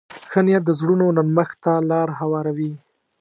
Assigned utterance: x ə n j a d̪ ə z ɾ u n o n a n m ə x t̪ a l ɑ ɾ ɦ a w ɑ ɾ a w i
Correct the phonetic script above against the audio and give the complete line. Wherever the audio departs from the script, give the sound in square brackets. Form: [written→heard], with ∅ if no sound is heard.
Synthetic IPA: x ə n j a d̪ ə z [ɾ→ɽ] u n o n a n m ə x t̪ a l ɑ ɾ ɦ a w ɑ ɾ a w i

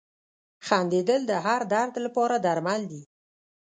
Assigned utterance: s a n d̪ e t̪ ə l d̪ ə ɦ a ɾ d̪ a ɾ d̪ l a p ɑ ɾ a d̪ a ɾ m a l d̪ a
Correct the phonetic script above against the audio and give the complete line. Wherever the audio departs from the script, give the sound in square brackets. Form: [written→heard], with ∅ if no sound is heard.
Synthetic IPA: [s→x] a n d̪ e [t̪→d̪] ə l d̪ ə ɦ a ɾ d̪ a ɾ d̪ l a p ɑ ɾ a d̪ a ɾ m a l d̪ [a→i]

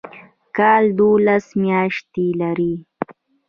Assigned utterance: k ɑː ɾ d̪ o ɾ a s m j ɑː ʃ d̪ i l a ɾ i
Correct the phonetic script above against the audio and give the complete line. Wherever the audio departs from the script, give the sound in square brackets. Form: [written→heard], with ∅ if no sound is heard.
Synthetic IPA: k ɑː [ɾ→l] d̪ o [ɾ→l] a s m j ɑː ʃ [d̪→t̪] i l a ɾ i

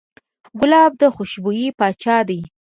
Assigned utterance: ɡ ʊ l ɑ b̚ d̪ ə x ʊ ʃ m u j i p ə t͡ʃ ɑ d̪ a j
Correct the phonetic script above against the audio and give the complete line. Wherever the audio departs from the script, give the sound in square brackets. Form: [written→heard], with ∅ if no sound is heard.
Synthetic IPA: ɡ ʊ l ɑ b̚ d̪ ə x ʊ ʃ [m→b] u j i p [ə→ɑ] t͡ʃ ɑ d̪ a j

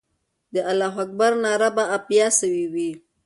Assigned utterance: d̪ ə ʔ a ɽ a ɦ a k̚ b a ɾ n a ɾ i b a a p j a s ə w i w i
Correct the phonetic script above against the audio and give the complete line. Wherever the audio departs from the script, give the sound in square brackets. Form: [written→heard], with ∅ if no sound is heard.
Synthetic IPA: d̪ ə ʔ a [ɽ→l] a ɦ a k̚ b a ɾ n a ɾ [i→a] b a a p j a s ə w i w i

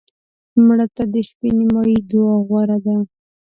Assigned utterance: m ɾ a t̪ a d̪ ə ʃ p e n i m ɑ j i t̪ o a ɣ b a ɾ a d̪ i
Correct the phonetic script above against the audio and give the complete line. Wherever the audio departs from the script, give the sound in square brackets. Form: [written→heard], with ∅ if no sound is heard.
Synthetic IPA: m [ɾ→ɽ] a t̪ a d̪ ə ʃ p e n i m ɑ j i [t̪→d̪] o a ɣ [b→w] a ɾ a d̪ [i→a]

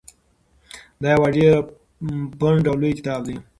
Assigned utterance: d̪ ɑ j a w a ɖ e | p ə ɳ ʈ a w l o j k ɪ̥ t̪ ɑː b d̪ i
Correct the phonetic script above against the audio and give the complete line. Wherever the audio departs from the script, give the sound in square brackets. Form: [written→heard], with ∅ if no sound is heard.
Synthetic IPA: d̪ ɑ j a w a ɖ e | p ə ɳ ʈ a w l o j k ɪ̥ t̪ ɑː b d̪ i

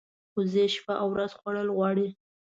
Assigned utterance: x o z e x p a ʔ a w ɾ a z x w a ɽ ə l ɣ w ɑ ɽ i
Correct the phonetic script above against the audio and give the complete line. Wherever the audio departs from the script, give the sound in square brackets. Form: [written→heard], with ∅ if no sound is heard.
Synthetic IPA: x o z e [x→ʃ] p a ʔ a w ɾ a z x w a ɽ ə l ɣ w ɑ ɽ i

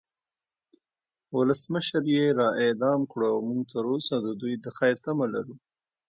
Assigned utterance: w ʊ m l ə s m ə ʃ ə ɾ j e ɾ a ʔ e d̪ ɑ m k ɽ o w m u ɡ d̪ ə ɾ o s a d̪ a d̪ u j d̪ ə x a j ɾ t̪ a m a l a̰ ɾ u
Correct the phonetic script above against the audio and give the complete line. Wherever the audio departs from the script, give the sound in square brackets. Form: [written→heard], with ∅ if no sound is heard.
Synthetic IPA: w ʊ [m→∅] l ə s m ə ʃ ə ɾ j e ɾ [a→ɑ] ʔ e d̪ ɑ m k ɽ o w m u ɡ [d̪→t̪] ə ɾ o s a d̪ [a→ə] d̪ u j d̪ ə x a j ɾ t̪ a m a l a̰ ɾ u

